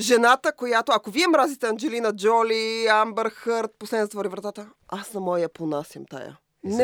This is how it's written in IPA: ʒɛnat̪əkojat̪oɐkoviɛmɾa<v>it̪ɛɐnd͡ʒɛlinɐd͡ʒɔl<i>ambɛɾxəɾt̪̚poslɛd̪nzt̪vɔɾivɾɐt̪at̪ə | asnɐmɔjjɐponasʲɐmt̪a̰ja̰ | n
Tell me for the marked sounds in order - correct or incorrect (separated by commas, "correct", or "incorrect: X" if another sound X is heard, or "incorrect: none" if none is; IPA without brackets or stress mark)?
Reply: incorrect: z, correct